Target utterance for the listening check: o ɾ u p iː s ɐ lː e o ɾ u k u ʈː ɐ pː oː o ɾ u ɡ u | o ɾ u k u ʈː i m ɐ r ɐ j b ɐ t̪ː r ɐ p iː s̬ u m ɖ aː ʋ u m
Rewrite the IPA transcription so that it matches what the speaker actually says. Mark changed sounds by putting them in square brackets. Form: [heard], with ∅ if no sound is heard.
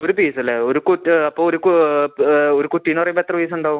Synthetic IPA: o ɾ u p iː s ɐ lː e o ɾ u k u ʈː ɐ pː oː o ɾ u [k] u | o ɾ u k u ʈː i [n] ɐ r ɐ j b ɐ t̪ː r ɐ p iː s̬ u [ɳ] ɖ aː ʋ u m